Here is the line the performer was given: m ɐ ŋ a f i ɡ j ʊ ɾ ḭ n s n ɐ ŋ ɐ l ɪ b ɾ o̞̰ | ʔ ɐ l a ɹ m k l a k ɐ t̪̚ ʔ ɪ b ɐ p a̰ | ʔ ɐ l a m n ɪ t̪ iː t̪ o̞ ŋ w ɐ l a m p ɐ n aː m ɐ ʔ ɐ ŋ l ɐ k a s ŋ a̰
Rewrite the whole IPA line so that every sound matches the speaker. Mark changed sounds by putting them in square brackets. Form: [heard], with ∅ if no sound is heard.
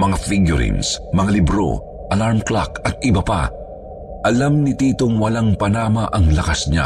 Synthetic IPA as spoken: m ɐ ŋ a f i ɡ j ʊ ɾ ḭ n s [m] ɐ ŋ [a] l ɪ b ɾ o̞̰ | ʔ ɐ l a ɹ m k l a k ɐ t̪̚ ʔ ɪ b ɐ p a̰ | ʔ ɐ l a m n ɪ t̪ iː t̪ o̞ ŋ w ɐ l a [ŋ] p ɐ n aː m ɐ ʔ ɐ ŋ l ɐ k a s [ɲ] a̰